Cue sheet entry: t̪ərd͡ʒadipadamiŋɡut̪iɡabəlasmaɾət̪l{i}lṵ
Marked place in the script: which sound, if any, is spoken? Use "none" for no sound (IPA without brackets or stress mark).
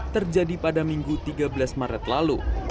a